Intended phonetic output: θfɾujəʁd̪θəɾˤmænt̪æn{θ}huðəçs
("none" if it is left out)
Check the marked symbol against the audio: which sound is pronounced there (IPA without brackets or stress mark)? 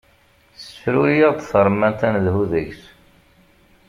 ð